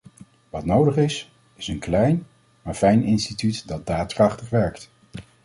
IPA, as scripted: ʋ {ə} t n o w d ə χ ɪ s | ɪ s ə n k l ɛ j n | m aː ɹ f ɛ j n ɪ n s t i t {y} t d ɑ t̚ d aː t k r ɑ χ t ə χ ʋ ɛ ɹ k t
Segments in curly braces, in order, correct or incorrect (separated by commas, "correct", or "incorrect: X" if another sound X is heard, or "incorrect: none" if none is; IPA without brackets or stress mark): incorrect: ɑ, correct